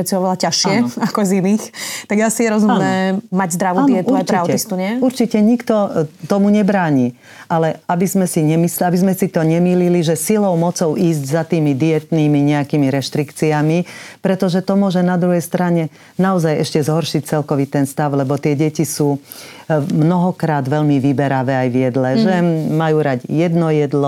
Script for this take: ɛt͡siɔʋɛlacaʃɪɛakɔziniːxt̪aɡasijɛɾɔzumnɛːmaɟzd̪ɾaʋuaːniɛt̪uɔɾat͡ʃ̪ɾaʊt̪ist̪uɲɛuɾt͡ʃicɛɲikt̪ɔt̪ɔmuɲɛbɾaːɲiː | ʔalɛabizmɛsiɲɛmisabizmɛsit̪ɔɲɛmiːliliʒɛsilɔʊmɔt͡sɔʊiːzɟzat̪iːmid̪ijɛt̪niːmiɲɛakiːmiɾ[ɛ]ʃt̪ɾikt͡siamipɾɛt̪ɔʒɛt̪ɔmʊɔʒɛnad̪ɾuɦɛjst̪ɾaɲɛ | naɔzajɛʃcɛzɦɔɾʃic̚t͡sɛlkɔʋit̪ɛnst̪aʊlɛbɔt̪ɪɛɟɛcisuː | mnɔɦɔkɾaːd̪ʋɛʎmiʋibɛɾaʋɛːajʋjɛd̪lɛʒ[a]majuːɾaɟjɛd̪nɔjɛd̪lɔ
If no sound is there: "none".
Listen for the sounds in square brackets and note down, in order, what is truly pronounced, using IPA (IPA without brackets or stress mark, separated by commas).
ɛ, ɛ